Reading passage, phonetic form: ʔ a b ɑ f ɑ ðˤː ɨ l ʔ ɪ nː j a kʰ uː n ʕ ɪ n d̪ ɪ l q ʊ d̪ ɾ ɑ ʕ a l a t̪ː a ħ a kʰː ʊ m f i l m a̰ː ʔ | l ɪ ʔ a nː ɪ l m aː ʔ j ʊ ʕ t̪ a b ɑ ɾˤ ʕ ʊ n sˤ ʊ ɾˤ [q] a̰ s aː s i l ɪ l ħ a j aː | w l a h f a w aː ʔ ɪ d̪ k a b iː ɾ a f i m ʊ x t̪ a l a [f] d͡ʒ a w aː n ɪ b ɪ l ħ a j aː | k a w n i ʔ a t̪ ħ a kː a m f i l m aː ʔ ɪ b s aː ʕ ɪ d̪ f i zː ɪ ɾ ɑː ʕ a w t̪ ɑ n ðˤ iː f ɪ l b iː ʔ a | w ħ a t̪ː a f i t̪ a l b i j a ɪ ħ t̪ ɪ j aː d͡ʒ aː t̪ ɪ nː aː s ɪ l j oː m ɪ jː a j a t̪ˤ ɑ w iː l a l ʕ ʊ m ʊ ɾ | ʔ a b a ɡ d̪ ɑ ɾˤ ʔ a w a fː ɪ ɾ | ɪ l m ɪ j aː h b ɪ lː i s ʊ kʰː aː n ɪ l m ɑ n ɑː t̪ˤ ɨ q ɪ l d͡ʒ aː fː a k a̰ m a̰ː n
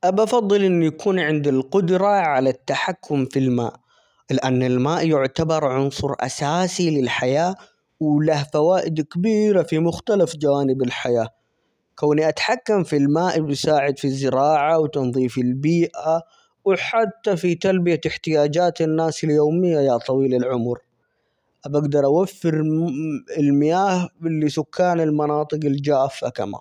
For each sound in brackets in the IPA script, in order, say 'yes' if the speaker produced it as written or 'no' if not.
no, yes

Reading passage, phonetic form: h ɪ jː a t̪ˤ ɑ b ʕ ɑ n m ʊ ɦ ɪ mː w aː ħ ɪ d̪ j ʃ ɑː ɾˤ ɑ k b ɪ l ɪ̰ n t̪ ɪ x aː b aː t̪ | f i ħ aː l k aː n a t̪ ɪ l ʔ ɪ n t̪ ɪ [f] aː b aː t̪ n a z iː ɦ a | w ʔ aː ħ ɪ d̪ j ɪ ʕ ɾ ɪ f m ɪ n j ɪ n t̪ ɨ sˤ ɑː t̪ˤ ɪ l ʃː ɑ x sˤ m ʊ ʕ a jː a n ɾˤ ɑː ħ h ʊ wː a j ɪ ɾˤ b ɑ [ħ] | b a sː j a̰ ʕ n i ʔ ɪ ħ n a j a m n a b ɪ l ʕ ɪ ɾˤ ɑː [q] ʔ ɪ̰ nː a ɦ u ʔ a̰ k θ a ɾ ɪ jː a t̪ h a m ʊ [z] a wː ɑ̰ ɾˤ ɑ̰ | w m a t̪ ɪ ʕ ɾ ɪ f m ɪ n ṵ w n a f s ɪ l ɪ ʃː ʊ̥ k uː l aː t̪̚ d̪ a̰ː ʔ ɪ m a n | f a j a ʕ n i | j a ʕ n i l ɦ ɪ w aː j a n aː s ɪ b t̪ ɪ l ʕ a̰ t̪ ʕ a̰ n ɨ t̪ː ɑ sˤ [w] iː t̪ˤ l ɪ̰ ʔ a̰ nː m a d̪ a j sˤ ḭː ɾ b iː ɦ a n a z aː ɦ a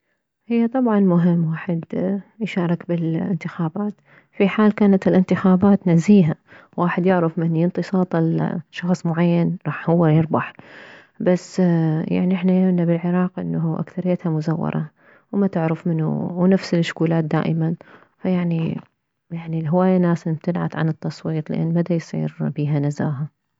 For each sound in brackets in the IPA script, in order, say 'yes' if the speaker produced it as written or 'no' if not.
no, yes, yes, yes, yes

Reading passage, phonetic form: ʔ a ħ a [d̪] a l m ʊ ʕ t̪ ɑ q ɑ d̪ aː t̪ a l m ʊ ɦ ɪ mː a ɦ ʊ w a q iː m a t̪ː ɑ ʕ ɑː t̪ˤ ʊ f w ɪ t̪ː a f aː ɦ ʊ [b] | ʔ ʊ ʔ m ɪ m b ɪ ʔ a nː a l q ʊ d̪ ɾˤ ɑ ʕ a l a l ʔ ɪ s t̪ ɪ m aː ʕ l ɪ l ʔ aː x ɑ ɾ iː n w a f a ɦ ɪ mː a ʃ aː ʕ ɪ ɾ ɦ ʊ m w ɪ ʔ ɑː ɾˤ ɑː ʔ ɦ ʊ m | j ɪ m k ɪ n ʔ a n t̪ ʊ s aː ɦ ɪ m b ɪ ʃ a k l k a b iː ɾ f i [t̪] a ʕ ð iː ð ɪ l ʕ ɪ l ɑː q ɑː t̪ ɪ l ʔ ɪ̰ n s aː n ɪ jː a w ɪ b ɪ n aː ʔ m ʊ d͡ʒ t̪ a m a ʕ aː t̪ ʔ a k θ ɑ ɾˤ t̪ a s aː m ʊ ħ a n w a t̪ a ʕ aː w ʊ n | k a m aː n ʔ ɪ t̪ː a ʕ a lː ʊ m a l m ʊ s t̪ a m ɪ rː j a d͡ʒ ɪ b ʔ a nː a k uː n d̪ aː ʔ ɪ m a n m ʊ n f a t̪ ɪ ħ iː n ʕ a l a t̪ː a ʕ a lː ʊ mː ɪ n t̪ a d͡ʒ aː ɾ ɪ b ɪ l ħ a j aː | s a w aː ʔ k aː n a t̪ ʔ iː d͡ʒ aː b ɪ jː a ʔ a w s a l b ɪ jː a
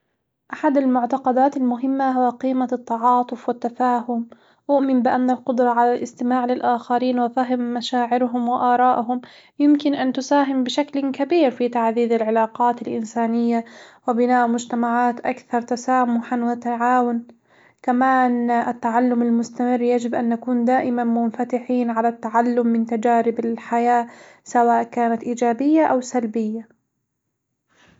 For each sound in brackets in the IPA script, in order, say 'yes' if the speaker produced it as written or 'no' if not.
yes, no, yes

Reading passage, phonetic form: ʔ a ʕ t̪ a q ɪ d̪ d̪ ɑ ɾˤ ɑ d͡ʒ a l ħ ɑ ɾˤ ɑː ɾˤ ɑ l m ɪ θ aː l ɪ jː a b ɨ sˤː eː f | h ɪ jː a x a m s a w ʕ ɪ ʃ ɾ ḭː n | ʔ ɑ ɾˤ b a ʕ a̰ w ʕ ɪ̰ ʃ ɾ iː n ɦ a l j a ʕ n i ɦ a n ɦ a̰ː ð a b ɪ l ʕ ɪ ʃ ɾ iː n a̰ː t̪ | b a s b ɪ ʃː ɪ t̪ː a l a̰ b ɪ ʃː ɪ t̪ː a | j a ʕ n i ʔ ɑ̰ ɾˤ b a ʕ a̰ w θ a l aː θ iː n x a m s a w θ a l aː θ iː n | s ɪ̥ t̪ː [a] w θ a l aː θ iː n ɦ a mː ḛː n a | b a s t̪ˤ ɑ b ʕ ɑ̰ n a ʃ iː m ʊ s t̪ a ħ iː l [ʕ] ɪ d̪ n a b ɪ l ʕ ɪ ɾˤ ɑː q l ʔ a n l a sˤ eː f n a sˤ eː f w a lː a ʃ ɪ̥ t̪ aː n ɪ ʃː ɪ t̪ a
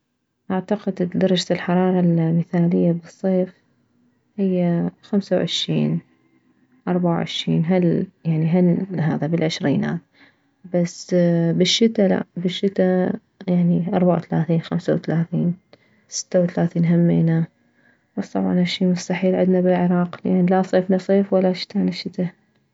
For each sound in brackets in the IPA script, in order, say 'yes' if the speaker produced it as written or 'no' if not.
yes, yes

